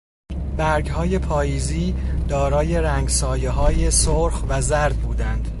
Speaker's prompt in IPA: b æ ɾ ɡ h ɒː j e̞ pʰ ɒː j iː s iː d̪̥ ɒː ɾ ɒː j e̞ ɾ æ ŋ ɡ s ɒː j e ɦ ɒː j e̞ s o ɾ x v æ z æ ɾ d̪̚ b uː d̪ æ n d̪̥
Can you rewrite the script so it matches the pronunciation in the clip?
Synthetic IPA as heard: b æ ɾ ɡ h ɒː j e̞ pʰ ɒː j iː z iː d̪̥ ɒː ɾ ɒː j e̞ ɾ æ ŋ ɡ s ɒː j e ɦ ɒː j e̞ s o ɾ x v æ z æ ɾ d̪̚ b uː d̪ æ n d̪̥